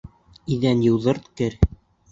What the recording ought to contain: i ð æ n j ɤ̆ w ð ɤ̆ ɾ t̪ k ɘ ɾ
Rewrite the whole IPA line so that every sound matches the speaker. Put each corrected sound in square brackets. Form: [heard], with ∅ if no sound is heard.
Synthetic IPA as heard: i ð æ n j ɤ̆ w ð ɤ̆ ɾ t̪ k ɘ ɾ